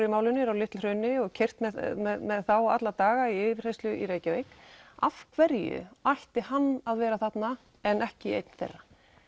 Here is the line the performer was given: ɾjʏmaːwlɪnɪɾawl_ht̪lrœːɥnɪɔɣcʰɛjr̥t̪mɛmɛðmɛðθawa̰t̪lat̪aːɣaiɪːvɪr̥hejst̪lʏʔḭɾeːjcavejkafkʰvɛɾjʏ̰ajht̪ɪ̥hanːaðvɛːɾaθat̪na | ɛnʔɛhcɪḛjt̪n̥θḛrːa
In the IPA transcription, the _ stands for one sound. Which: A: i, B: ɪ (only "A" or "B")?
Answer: B